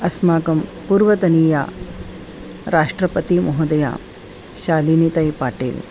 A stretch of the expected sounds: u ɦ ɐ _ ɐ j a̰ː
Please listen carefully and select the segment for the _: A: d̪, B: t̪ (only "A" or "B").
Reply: A